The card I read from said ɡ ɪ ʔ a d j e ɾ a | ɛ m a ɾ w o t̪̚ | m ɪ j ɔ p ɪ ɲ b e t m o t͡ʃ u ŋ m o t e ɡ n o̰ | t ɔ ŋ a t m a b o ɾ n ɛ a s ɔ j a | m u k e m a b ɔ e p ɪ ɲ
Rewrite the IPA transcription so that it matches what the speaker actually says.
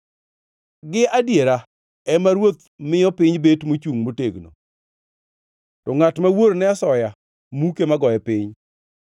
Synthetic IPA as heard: ɡ ɪ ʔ a d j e ɾ a | ɛ m a ɾ w o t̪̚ | m ɪ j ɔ p ɪ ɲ b e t m o t͡ʃ u ŋ m o t e ɡ n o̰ | t ɔ ŋ a t m a w o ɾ n ɛ a s ɔ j a | m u k e m a ɡ ɔ ɛ p ɪ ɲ